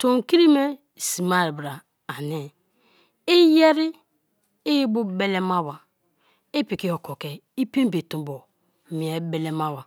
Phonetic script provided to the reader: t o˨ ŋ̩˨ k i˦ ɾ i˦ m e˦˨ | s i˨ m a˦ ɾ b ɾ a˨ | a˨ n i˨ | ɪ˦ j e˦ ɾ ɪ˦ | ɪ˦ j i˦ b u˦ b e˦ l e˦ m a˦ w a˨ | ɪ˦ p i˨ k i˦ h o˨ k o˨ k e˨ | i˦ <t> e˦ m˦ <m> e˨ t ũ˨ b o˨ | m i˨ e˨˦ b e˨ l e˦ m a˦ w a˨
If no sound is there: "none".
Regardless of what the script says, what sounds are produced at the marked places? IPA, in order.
p, b

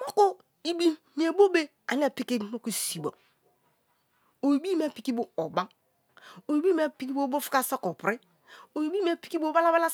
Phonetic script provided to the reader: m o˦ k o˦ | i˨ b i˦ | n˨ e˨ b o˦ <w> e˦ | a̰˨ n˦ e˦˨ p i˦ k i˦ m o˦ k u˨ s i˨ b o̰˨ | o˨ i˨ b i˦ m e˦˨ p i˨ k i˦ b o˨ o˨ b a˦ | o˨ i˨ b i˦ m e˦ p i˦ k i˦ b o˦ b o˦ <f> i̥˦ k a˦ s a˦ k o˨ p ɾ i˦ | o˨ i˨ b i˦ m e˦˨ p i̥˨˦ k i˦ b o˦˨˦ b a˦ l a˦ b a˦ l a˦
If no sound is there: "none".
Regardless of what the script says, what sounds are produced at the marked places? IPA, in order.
b, f

